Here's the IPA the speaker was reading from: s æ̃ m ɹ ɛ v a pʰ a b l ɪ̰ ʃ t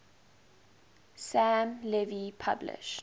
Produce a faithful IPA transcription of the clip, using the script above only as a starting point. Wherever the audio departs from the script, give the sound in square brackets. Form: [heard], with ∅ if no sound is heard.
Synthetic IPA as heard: s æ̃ m [l] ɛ v [i] pʰ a b l ɪ̰ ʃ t

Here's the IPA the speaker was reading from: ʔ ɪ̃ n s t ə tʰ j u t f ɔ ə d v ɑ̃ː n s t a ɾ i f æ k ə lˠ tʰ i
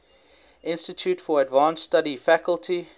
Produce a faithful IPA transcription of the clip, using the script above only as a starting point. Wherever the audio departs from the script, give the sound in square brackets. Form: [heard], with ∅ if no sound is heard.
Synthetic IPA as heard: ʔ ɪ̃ n s t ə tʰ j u t f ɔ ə d v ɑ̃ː n s t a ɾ i f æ k ə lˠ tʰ i

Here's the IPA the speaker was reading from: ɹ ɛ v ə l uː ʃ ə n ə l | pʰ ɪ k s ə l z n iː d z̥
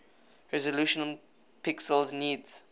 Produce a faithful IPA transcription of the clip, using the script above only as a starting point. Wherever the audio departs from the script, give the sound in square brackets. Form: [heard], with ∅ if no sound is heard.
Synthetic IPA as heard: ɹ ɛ [z] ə l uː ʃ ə n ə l | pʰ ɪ k s ə l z n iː d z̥

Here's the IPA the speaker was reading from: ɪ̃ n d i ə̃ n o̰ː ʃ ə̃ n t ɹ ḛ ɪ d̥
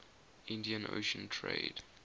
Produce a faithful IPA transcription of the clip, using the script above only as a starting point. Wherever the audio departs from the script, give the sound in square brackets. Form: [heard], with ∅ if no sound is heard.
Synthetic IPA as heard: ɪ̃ n d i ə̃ n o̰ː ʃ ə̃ n [tʰ] ɹ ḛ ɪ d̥

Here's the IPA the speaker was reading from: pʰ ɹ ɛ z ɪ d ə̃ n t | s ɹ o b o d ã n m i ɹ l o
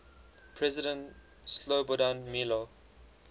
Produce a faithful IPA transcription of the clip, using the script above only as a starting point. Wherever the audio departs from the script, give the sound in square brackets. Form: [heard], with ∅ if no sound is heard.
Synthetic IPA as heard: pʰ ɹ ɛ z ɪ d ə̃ n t | s [l] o b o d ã n m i [∅] l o

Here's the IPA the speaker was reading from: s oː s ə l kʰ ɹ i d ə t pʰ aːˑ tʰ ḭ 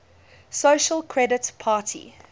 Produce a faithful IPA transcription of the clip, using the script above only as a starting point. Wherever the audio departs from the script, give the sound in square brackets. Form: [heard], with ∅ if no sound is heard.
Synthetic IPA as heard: s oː [ʃ] ə l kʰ ɹ [ɛ] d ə t pʰ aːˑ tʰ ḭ

